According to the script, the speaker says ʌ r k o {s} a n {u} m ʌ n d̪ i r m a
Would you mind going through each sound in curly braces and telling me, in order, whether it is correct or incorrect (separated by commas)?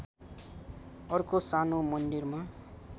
correct, incorrect